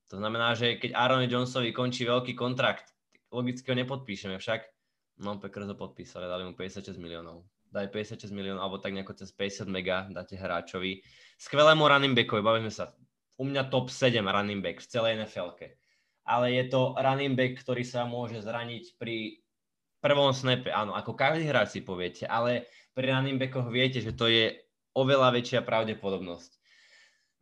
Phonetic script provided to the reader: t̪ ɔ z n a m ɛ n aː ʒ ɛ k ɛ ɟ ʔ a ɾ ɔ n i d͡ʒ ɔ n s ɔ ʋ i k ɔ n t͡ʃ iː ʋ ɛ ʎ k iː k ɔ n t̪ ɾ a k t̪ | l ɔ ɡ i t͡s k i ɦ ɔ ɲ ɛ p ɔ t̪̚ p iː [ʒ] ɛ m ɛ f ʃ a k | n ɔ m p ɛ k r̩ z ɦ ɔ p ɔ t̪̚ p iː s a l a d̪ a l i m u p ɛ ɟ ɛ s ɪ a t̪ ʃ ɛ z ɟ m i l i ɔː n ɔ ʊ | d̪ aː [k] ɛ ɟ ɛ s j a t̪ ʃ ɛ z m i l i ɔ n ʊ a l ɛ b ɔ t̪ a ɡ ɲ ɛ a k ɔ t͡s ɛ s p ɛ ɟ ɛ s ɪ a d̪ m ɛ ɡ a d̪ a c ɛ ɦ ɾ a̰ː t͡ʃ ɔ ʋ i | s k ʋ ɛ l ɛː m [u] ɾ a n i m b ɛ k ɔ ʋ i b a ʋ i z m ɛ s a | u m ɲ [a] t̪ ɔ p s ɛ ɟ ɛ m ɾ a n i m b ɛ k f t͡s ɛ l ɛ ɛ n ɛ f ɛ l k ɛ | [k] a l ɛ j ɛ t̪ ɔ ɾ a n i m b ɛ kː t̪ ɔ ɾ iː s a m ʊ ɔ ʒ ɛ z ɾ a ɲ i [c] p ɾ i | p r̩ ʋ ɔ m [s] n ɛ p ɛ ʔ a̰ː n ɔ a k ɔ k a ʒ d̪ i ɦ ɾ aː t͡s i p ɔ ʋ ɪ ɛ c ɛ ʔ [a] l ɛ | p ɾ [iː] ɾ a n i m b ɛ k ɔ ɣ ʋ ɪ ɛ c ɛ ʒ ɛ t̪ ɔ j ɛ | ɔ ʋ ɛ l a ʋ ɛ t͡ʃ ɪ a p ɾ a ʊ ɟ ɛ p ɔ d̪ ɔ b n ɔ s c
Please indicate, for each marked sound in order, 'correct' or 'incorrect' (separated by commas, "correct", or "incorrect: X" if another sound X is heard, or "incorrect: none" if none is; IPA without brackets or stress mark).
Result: incorrect: ʃ, incorrect: p, correct, correct, incorrect: ʔ, correct, correct, correct, incorrect: i